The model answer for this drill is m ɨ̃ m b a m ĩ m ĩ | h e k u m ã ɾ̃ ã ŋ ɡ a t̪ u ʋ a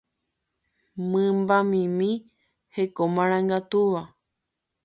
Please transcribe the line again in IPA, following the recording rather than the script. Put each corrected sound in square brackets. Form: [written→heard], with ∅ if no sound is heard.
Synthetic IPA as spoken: m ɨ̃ m b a m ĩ m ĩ | h e k [u→o] m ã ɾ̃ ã ŋ ɡ a t̪ u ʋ a